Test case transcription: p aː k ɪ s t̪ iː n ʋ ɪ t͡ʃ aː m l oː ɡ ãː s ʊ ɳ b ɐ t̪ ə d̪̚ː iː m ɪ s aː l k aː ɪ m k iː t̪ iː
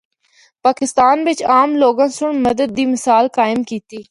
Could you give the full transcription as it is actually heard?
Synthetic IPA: p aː k ɪ s t̪ aː n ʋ ɪ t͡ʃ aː m l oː ɡ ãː s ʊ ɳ m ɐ d̪ ə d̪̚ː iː m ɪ s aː l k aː ɪ m k iː t̪ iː